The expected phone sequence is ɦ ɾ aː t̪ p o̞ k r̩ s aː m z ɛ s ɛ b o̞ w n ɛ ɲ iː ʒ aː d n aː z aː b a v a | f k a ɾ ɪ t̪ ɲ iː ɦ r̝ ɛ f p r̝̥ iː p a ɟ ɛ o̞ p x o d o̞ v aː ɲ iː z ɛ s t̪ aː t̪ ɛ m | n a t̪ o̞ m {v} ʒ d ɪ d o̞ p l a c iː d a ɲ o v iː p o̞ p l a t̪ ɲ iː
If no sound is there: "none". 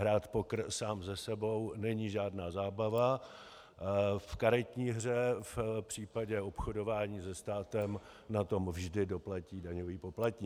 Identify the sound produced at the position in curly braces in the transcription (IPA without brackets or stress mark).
v